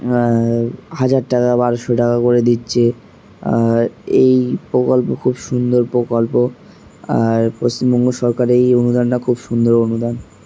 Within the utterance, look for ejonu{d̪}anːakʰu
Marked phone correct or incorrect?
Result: correct